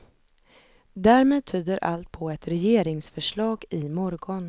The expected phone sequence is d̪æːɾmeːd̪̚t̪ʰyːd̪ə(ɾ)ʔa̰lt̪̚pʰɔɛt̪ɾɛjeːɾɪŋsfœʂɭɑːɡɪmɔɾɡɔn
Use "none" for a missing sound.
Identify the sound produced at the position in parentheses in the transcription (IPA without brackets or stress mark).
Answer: ɾ